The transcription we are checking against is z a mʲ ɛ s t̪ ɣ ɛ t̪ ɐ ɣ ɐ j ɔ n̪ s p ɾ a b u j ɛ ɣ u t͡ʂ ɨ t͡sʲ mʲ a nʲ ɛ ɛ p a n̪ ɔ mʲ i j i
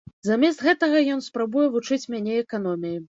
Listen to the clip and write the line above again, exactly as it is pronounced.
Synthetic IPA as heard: z a mʲ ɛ s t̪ ɣ ɛ t̪ ɐ ɣ ɐ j ɔ n̪ s p ɾ a b u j ɛ v u t͡ʂ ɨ t͡sʲ mʲ a nʲ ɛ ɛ k a n̪ ɔ mʲ i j i